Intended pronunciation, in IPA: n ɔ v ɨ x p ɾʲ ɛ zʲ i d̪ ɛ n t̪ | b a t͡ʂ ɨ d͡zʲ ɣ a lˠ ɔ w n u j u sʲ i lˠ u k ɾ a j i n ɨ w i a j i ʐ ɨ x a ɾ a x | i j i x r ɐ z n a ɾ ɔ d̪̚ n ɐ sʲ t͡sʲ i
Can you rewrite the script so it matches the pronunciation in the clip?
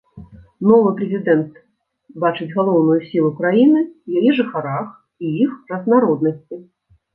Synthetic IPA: n ɔ v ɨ p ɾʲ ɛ zʲ i d̪ ɛ n t̪ | b a t͡ʂ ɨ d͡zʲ ɣ a lˠ ɔ w n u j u sʲ i lˠ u k ɾ a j i n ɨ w j a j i ʐ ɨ x a ɾ a x | i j i x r ɐ z n a ɾ ɔ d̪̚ n ɐ sʲ t͡sʲ i